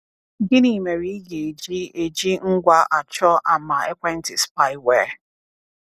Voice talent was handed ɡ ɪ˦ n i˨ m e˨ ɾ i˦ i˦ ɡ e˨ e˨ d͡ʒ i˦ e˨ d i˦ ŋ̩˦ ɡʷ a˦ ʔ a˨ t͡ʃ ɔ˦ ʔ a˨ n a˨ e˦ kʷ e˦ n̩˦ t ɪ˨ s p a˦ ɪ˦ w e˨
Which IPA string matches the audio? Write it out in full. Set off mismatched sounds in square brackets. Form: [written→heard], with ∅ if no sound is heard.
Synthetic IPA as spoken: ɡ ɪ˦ n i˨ m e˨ ɾ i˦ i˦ ɡ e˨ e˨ d͡ʒ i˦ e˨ [d→d͡ʒ] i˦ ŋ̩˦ ɡʷ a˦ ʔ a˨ t͡ʃ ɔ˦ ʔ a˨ [n→m] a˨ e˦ kʷ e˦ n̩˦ t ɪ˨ s p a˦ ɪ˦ w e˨